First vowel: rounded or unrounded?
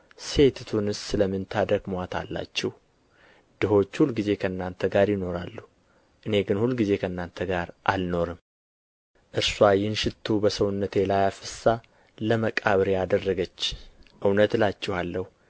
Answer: unrounded